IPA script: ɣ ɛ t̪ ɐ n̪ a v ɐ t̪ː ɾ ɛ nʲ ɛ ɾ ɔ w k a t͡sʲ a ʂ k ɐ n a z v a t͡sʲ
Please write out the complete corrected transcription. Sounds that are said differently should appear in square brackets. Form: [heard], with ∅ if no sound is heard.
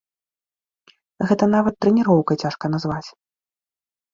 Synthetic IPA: ɣ ɛ t̪ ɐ n̪ a v ɐ t̪ː ɾ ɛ nʲ [i] ɾ ɔ w k [ɐ] t͡sʲ a ʂ k ɐ n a z v a t͡sʲ